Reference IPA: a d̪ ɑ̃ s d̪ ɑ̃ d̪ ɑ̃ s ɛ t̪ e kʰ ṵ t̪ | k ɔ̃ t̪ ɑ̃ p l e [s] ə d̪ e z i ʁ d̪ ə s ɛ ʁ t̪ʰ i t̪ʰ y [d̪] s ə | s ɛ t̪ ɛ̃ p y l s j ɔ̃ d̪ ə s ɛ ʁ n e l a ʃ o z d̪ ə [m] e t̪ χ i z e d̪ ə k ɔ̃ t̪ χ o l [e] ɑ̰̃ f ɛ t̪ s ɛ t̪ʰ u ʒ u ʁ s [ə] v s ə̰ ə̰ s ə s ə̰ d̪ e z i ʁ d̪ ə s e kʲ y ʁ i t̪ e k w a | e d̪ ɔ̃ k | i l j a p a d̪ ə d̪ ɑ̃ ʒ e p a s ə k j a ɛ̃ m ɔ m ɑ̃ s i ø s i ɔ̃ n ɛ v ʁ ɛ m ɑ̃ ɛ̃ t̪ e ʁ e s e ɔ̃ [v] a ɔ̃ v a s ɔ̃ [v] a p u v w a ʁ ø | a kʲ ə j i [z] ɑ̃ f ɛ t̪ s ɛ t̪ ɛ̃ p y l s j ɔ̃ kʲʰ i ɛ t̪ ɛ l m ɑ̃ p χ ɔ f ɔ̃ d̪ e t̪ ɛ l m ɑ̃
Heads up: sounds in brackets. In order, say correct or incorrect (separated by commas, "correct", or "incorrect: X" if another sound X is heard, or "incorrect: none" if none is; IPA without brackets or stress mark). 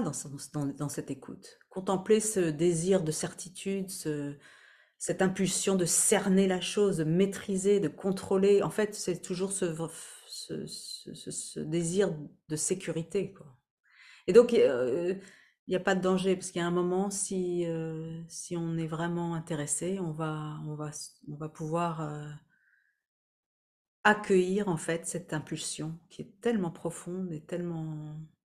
correct, correct, correct, correct, correct, correct, correct, incorrect: ʁ